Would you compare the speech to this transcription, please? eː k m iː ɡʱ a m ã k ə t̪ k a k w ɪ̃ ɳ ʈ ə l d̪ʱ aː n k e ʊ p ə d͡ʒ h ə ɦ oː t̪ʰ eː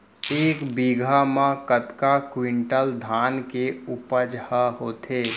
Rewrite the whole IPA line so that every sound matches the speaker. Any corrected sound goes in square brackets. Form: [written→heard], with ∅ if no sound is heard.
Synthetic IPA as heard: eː k [m→b] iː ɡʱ a m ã k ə t̪ k a k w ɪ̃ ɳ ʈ ə l d̪ʱ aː n k e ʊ p ə d͡ʒ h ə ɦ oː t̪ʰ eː